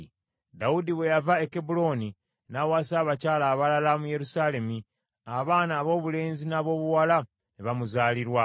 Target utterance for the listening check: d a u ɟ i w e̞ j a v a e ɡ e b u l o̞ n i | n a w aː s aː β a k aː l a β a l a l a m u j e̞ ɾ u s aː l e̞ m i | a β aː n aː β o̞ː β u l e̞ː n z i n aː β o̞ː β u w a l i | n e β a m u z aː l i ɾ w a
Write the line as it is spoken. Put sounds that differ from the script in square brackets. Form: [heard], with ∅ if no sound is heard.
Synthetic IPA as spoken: d a u [d] i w e̞ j a v a e [k] e b u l o̞ n i | n a w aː s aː β a [c] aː l a β a l a l a m u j e̞ ɾ u s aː l e̞ m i | a β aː n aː β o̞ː β u l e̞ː n z i n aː β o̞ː β u w a l [a] | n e β a m u z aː l i ɾ w a